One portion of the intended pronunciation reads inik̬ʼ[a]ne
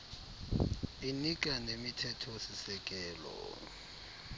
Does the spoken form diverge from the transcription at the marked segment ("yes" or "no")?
no